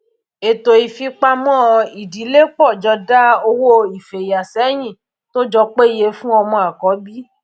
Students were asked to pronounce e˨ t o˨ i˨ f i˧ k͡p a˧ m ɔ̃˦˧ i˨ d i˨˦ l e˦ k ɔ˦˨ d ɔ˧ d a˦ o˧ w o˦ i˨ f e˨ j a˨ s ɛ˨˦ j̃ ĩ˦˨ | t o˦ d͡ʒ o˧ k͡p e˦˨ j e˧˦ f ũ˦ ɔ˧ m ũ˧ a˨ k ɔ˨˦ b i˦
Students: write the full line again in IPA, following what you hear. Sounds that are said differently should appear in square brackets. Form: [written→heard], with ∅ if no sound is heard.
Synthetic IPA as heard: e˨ t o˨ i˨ f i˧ k͡p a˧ m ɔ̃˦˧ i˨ d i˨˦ l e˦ [k→k͡p] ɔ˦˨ [d→d͡ʒ] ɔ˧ d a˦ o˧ w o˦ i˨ f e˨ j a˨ s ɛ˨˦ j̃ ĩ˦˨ | t o˦ d͡ʒ [o˧→ɔ˧] k͡p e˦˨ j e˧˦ f ũ˦ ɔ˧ m [ũ˧→ɔ̃˧] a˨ k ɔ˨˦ b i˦

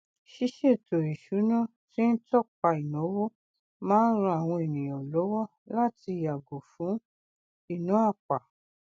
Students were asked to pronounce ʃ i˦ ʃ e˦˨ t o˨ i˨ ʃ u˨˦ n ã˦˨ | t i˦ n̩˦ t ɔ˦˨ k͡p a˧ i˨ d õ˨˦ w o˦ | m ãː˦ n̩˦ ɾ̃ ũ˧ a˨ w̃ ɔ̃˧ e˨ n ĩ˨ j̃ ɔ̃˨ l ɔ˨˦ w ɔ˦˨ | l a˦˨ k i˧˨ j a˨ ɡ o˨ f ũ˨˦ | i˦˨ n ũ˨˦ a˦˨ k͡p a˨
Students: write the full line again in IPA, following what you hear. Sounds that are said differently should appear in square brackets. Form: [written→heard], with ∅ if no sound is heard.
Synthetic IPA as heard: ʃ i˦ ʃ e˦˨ t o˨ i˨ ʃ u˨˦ n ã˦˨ | t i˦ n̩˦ t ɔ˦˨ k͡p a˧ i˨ [d→n] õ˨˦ w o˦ | m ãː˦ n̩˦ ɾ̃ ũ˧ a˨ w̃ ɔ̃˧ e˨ n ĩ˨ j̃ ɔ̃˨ l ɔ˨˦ w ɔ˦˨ | l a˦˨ [k→t] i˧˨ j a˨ ɡ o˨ f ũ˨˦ | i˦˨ n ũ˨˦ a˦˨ k͡p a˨

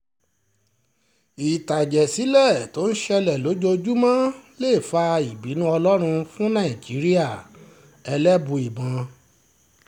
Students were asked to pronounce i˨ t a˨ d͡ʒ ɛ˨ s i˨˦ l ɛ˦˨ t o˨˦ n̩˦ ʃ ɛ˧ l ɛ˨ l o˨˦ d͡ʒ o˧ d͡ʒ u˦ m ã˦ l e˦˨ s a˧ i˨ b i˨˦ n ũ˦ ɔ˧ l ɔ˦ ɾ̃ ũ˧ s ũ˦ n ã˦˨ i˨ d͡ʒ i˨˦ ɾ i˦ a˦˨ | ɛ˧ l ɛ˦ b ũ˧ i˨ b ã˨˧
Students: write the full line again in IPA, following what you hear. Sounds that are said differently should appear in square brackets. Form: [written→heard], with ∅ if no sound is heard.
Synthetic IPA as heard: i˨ t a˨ d͡ʒ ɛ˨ s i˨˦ l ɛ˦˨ t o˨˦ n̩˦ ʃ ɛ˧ l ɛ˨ l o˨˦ d͡ʒ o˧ d͡ʒ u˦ m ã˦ l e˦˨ [s→f] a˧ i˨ b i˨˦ n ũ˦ ɔ˧ l ɔ˦ ɾ̃ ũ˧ [s→f] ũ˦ n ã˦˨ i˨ d͡ʒ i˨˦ ɾ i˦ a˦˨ | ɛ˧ l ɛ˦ b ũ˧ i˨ b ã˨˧

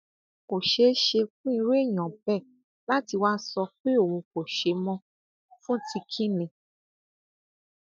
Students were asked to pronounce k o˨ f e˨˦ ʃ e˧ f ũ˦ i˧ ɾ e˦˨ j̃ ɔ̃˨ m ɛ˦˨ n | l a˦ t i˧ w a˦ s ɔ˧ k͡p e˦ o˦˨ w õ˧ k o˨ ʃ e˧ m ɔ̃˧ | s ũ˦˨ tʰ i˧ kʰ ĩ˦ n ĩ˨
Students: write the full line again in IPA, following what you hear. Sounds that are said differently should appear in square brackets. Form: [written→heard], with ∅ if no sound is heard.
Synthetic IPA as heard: k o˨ [f→ʃ] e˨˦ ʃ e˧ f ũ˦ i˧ ɾ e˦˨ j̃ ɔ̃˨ [m→b] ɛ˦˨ [n→∅] | l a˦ t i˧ w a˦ s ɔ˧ k͡p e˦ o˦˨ w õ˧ k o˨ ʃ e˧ m ɔ̃˧ | [s→f] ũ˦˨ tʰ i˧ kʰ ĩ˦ n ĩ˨

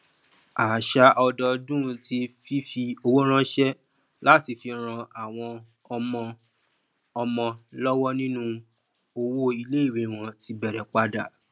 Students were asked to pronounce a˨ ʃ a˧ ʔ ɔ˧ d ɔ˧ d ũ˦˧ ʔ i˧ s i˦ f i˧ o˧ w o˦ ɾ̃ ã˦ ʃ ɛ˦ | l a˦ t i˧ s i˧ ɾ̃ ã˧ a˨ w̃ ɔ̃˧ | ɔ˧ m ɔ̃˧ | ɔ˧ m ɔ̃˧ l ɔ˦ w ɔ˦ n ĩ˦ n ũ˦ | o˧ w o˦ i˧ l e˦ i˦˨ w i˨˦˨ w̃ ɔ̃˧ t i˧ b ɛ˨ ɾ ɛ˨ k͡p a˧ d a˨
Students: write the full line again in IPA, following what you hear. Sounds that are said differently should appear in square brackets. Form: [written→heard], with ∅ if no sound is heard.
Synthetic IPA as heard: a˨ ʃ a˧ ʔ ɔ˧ d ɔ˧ d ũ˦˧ [ʔ→t] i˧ [s→f] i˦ f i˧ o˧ w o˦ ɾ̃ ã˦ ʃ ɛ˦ | l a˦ t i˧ [s→f] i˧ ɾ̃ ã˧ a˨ w̃ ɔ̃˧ | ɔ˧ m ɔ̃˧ | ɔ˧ m ɔ̃˧ l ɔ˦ w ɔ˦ n ĩ˦ n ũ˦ | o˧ w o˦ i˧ l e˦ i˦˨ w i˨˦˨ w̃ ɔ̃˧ t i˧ b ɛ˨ ɾ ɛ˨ k͡p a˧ d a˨

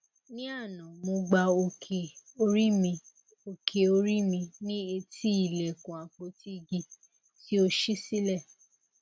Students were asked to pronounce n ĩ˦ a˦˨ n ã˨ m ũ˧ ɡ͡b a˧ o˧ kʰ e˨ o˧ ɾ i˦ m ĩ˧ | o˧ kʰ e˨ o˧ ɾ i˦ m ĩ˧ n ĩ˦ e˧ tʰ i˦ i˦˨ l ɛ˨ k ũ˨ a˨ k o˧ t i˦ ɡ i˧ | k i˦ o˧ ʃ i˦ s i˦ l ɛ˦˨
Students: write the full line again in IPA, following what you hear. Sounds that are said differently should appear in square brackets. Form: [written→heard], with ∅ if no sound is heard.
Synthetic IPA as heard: n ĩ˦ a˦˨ n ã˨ m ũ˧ ɡ͡b a˧ o˧ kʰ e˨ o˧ ɾ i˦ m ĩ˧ | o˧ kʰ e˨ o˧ ɾ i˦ m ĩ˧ n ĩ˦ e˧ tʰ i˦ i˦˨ l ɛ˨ k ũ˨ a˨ [k→k͡p] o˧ t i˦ ɡ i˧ | [k→t] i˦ o˧ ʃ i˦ s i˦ l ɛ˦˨

